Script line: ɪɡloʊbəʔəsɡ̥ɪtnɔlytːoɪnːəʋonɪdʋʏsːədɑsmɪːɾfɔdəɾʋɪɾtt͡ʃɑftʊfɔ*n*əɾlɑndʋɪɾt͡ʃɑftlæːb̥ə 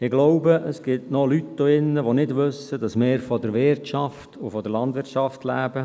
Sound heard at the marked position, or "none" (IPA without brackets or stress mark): d